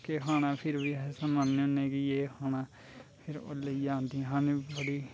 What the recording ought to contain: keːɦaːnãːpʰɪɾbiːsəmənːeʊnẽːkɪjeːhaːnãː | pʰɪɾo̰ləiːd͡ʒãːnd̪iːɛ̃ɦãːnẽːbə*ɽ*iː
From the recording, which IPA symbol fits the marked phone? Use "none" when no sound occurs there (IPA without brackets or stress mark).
ɽ